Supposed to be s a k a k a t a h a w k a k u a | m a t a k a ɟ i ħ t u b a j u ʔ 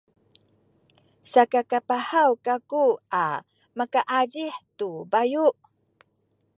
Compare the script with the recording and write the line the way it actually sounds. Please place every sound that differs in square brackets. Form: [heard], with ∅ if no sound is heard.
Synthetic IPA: s a k a k a [p] a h a w k a k u a | m a [k] a [ʔ] a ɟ i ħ t u b a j u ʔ